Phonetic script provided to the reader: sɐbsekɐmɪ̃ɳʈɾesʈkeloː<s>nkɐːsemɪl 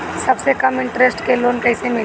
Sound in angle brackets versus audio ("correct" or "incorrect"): incorrect